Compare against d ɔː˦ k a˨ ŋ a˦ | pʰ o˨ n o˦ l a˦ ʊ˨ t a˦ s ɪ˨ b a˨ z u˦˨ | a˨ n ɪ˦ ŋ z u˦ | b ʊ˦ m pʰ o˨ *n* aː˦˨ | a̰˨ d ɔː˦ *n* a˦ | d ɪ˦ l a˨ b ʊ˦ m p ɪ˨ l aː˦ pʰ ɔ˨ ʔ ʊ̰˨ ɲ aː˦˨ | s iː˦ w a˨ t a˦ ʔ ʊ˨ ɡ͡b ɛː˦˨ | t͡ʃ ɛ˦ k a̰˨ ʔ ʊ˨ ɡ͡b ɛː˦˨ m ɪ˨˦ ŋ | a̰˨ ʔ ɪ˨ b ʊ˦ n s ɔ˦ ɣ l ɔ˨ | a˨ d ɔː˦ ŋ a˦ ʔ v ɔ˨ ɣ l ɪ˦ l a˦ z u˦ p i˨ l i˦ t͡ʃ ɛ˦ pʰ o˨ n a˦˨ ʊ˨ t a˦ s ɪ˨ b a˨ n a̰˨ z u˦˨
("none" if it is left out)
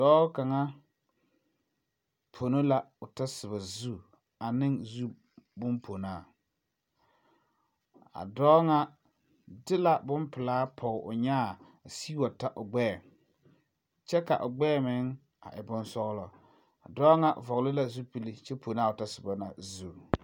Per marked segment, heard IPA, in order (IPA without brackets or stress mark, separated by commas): n, ŋ